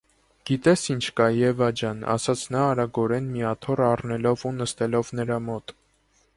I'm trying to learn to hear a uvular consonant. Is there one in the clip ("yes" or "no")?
no